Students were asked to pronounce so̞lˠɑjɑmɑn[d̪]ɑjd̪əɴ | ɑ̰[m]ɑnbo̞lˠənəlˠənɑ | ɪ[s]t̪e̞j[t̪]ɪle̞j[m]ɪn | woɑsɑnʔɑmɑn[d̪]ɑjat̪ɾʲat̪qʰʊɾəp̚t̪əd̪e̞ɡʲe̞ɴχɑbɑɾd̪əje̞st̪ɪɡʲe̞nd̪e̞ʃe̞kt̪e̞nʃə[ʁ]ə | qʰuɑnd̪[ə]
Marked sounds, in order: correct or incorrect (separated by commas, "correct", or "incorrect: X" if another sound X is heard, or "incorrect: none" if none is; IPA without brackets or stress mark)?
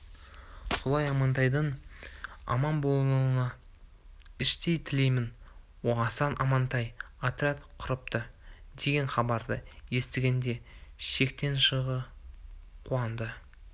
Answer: incorrect: t̪, correct, incorrect: ʃ, incorrect: t̪ʰ, correct, incorrect: t̪, correct, correct